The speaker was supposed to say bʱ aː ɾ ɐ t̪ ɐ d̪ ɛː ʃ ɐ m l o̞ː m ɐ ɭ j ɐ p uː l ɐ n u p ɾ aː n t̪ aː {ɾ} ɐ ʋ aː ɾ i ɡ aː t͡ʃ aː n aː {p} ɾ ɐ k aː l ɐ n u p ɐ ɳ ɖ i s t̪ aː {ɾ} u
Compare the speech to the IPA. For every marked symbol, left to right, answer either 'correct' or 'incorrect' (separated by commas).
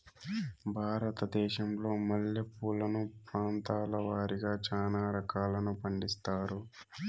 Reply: incorrect, incorrect, correct